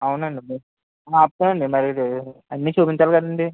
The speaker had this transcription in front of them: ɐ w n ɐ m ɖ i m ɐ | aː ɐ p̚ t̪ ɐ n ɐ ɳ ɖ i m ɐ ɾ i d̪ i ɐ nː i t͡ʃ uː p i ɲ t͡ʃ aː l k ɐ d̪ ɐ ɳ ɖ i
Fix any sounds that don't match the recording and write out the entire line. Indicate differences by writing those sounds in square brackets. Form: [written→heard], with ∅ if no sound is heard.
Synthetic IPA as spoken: ɐ w n ɐ [m→ɳ] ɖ i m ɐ | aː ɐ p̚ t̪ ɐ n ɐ ɳ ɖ i m ɐ ɾ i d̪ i ɐ nː i t͡ʃ uː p i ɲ t͡ʃ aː l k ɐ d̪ ɐ ɳ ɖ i

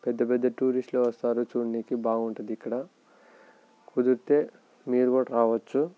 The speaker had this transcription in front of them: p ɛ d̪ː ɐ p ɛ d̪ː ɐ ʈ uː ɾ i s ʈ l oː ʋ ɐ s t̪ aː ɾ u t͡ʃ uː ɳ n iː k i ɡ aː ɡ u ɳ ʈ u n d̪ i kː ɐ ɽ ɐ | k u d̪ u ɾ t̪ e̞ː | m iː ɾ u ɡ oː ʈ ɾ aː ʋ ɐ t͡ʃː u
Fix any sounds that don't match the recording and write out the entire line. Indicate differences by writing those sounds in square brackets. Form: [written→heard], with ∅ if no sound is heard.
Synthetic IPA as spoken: p ɛ d̪ː ɐ p ɛ d̪ː ɐ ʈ uː ɾ i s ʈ l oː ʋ ɐ s t̪ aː ɾ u t͡ʃ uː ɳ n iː k i [ɡ→b] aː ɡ u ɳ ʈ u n d̪ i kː ɐ ɽ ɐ | k u d̪ u ɾ t̪ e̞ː | m iː ɾ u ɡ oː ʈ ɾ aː ʋ ɐ t͡ʃː u

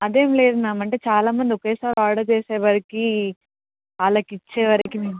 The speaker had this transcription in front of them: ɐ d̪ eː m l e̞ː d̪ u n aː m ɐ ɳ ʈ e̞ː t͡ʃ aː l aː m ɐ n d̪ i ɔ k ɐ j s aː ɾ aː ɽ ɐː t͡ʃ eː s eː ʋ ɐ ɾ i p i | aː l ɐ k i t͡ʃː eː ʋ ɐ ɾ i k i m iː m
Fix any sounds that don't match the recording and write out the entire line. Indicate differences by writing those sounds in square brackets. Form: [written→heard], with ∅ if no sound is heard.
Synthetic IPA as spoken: ɐ d̪ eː m l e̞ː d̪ u n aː m ɐ ɳ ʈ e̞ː t͡ʃ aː l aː m ɐ n d̪ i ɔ k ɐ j s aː ɾ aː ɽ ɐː t͡ʃ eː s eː ʋ ɐ ɾ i [p→k] i | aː l ɐ k i t͡ʃː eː ʋ ɐ ɾ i k i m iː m

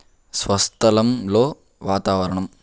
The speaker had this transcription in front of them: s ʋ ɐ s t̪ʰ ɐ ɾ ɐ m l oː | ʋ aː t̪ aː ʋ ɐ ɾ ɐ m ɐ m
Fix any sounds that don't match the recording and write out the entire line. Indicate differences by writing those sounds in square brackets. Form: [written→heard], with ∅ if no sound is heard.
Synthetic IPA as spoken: s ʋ ɐ s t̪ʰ ɐ [ɾ→l] ɐ m l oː | ʋ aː t̪ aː ʋ ɐ ɾ ɐ [m→ɳ] ɐ m

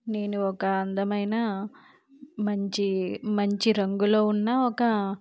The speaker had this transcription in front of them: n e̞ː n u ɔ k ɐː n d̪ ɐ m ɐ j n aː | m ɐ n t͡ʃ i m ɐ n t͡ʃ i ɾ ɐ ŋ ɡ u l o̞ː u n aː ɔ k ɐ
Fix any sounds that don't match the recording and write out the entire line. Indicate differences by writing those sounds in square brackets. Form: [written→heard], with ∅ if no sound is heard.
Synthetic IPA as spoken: n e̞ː n u ɔ k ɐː n d̪ ɐ m ɐ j n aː | m ɐ [n→ɲ] t͡ʃ i m ɐ [n→ɲ] t͡ʃ i ɾ ɐ ŋ ɡ u l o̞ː u [n→nː] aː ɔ k ɐ

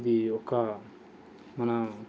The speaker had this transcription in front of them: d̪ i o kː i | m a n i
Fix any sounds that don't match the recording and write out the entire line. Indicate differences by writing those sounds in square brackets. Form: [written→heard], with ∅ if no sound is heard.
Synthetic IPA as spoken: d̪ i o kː [i→a] | m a n [i→a]

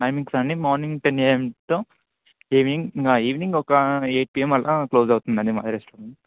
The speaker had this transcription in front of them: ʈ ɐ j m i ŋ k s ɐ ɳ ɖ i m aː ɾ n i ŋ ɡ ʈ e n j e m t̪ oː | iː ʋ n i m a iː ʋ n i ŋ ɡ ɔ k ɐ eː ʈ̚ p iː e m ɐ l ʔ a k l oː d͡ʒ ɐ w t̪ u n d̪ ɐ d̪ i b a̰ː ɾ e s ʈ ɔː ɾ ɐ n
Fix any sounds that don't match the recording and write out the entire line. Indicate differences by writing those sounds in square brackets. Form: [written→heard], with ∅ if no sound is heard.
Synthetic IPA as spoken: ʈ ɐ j m i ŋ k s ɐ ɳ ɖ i m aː ɾ n i ŋ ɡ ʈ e n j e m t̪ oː | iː ʋ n i [m→ŋ] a iː ʋ n i ŋ ɡ ɔ k ɐ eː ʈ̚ p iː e m ɐ l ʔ a k l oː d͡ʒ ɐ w t̪ u n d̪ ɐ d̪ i [b→m] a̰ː ɾ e s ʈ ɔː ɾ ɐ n

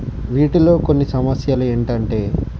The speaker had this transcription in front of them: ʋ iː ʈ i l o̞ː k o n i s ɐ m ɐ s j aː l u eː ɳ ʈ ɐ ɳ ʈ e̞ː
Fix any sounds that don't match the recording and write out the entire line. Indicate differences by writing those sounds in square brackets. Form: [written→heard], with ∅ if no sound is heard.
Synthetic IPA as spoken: ʋ iː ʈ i l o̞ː k o [n→nː] i s ɐ m ɐ s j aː l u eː ɳ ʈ ɐ ɳ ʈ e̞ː

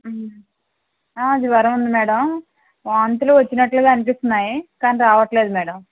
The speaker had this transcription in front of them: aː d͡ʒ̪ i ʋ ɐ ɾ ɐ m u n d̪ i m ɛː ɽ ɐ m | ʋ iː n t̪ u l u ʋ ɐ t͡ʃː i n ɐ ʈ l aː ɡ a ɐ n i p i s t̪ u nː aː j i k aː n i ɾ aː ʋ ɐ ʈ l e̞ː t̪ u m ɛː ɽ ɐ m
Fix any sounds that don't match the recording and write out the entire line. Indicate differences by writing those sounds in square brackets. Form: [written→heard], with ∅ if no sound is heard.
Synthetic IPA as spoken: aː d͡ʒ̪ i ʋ ɐ ɾ ɐ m u n d̪ i m ɛː ɽ ɐ m | ʋ [iː→aː] n t̪ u l u ʋ ɐ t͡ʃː i n ɐ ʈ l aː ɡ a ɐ n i p i s t̪ u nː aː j i k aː n i ɾ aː ʋ ɐ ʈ l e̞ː [t̪→d̪] u m ɛː ɽ ɐ m

